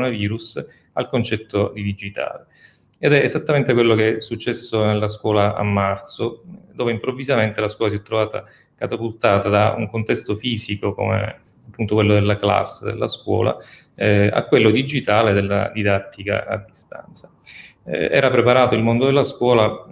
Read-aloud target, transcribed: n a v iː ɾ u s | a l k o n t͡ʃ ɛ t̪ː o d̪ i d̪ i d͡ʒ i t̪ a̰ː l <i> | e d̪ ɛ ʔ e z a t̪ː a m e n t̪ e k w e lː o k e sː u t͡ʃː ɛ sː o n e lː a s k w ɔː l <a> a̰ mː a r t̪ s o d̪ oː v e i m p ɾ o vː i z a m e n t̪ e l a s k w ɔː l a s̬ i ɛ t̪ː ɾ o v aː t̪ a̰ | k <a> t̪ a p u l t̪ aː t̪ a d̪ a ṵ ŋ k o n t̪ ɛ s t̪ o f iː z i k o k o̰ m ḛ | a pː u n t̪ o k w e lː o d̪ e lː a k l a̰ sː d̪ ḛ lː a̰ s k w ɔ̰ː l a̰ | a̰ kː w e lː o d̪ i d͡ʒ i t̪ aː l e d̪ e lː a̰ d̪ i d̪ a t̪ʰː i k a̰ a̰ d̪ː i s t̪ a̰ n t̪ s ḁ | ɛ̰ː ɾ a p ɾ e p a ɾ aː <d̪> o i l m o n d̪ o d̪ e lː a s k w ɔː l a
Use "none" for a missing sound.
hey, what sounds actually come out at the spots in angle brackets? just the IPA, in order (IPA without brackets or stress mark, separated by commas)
e, a, a, t̪